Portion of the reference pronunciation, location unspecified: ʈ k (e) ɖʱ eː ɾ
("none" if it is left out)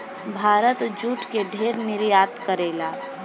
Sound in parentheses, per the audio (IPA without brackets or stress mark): e